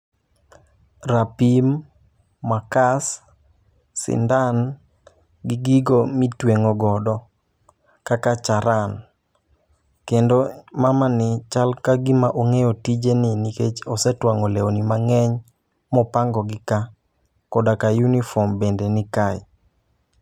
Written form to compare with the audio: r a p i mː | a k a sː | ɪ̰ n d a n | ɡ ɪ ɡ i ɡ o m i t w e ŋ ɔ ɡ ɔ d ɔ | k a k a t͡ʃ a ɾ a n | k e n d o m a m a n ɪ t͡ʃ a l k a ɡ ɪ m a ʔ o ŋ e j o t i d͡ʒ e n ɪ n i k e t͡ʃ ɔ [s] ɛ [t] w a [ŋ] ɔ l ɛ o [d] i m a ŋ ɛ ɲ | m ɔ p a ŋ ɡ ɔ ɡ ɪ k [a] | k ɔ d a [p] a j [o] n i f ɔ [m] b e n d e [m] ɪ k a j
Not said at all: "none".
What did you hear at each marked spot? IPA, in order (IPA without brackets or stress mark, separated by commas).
s, t, ŋ, n, a, k, u, m, n